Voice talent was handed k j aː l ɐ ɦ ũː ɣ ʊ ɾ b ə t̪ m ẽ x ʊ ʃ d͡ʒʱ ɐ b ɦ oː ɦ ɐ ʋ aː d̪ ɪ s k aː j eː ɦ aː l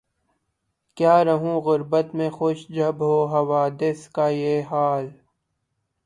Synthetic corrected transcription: k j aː ɾ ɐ ɦ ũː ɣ ʊ ɾ b ə t̪ m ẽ x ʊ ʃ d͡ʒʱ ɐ b ɦ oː ɦ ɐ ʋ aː d̪ ɪ s k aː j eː ɦ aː l